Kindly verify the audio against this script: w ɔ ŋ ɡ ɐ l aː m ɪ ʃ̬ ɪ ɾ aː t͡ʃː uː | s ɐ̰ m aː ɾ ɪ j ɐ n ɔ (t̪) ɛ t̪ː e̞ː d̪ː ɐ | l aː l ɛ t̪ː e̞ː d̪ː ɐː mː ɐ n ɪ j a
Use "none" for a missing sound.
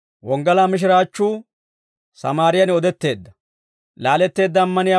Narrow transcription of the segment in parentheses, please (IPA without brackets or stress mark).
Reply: d̪